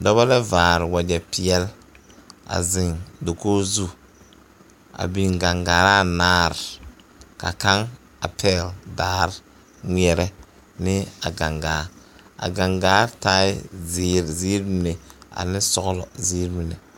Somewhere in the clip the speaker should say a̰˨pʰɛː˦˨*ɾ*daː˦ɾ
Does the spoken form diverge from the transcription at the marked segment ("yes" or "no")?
yes